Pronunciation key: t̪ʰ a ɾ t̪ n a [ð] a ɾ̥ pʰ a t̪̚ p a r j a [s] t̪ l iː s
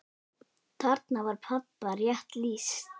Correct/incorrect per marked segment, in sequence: incorrect, incorrect

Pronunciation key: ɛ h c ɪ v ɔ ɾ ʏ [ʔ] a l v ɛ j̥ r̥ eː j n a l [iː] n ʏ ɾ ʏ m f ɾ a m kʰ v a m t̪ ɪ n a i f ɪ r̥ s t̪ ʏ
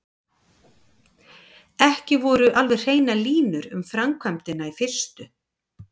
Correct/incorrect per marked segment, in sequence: correct, correct

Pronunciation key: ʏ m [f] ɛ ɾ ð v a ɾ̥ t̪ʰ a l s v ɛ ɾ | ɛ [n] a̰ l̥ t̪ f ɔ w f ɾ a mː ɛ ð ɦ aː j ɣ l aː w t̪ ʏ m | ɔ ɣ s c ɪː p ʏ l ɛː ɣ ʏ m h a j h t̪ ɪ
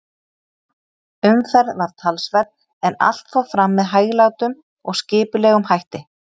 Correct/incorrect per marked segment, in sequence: correct, correct

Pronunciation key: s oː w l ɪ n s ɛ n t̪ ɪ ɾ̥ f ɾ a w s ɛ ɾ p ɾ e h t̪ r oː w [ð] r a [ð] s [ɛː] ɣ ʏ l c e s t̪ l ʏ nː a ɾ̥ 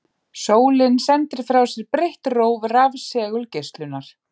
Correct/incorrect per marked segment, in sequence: incorrect, incorrect, correct

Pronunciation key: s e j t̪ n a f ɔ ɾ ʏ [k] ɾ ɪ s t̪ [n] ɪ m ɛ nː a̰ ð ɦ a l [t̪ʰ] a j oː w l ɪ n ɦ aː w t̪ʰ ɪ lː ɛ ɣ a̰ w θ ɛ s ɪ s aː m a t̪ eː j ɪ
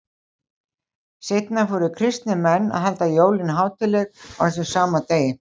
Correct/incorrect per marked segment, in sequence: incorrect, correct, incorrect

